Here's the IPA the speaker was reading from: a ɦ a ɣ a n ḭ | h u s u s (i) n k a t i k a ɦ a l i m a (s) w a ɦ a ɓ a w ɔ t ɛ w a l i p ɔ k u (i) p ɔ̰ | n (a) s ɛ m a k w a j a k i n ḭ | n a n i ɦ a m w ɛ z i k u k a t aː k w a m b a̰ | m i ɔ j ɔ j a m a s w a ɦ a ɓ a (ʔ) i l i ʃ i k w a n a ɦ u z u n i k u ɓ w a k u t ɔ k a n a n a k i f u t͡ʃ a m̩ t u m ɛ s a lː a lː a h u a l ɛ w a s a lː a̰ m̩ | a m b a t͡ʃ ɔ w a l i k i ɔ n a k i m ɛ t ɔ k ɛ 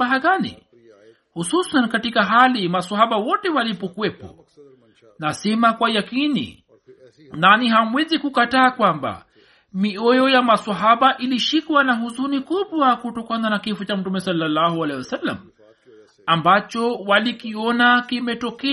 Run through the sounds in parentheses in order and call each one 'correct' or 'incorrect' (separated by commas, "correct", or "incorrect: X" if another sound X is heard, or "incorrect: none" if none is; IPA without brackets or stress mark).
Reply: incorrect: a, correct, incorrect: ɛ, correct, correct